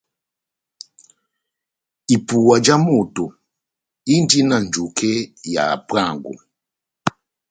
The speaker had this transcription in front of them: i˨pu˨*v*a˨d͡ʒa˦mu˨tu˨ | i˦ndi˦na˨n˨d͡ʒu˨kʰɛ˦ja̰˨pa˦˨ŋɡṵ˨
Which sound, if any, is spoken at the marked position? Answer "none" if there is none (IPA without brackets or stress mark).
w